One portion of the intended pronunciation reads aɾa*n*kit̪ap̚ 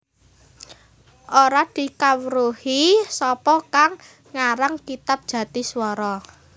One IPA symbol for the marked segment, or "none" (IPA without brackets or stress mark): ŋ